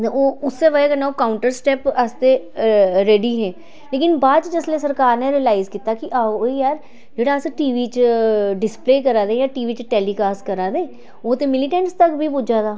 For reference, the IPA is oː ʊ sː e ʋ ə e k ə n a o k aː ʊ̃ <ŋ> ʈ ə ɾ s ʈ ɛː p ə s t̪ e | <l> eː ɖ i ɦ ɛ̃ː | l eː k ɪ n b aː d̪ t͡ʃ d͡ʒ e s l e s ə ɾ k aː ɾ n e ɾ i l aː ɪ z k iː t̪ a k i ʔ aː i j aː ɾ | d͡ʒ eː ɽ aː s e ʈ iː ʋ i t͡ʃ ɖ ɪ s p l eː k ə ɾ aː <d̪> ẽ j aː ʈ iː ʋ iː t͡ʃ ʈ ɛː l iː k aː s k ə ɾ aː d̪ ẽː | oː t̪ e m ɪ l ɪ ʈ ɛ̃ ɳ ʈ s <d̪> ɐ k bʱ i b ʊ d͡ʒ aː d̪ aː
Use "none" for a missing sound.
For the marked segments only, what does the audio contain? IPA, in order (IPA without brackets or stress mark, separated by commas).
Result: ɳ, ɾ, d̪, t̪